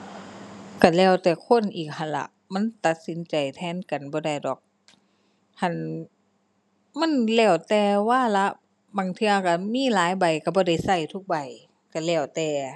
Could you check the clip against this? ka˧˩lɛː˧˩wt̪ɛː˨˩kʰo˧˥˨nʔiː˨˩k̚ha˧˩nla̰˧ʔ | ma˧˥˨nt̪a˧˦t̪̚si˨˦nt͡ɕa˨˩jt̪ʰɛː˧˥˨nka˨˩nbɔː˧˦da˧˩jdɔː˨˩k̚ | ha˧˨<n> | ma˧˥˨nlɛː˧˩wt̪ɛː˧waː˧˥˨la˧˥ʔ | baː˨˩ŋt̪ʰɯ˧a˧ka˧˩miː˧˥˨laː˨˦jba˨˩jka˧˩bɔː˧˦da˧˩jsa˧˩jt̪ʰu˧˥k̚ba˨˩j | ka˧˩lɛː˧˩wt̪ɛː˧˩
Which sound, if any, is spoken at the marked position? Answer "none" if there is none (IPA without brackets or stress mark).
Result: n